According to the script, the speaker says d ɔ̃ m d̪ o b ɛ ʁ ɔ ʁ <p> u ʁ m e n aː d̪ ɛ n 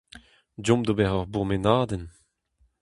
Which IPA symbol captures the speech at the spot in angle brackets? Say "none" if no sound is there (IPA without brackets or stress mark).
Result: b